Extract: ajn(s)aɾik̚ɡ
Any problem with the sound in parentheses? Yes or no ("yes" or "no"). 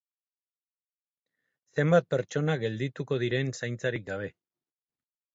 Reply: yes